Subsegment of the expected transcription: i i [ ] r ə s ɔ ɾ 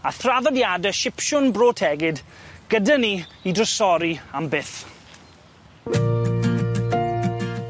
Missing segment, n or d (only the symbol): d